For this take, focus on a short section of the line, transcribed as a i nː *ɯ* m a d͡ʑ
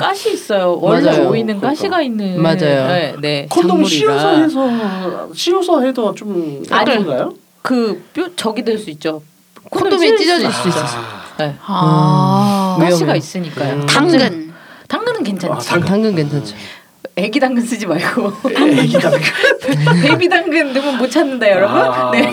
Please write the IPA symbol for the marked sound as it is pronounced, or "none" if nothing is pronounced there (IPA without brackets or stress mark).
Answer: ɯ